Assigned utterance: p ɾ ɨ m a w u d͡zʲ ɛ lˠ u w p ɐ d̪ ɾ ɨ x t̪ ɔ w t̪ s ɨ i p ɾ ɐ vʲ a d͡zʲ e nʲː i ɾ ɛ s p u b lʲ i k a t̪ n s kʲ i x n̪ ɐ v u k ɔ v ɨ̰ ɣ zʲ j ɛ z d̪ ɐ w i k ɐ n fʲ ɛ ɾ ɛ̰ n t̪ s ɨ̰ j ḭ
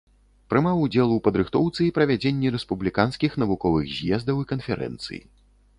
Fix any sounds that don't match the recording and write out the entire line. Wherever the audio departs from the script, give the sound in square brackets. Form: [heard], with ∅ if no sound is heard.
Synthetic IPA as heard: p ɾ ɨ m a w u d͡zʲ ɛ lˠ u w p ɐ d̪ ɾ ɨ x t̪ ɔ w t̪ s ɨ i p ɾ ɐ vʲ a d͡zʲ e nʲː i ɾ ɛ s p u b lʲ i k a [∅] n s kʲ i x n̪ ɐ v u k ɔ v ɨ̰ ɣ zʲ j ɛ z d̪ ɐ w i k ɐ n fʲ ɛ ɾ ɛ̰ n t̪ s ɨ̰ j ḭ